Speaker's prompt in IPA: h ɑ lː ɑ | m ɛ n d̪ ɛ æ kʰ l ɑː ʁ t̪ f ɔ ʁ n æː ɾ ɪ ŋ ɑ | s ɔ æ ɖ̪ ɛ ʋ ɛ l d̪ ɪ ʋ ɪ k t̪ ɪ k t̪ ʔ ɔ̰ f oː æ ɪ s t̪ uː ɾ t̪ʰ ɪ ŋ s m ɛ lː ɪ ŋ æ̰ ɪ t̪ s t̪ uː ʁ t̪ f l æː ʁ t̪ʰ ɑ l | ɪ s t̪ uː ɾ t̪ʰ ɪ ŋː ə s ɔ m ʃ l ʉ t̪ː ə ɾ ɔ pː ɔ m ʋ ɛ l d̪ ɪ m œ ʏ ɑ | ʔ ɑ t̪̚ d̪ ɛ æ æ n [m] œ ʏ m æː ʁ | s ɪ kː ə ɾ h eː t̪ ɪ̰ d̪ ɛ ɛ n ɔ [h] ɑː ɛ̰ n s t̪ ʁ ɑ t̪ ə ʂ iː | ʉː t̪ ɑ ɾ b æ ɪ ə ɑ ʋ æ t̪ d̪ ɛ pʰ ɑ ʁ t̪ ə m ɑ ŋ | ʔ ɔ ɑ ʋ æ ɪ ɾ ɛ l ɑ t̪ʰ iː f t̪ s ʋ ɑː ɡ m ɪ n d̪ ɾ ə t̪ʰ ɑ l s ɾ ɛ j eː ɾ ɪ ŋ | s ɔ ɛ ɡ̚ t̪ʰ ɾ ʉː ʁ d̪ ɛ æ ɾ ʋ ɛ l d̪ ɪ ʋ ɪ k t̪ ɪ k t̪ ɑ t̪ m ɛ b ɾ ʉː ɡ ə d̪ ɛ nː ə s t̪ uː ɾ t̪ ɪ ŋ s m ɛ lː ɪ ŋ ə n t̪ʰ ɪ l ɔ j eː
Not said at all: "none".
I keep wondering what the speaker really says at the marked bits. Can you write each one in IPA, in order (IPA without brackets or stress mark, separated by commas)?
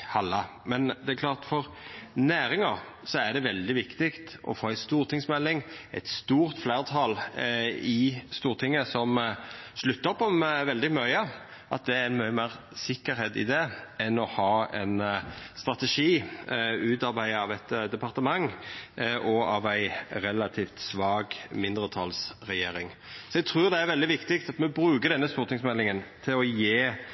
m, h